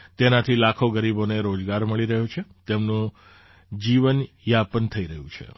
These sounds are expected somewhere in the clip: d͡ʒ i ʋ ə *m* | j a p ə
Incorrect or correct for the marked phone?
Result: incorrect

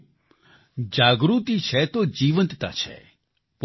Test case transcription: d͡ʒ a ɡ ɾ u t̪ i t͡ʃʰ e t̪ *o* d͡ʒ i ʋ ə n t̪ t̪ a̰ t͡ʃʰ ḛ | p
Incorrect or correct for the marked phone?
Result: correct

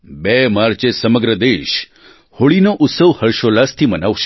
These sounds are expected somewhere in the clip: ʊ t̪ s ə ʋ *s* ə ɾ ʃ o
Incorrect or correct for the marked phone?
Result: incorrect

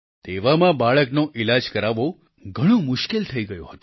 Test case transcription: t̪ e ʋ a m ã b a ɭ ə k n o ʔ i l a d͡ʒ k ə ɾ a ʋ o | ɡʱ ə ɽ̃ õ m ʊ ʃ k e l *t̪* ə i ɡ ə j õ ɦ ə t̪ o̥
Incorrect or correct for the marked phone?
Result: incorrect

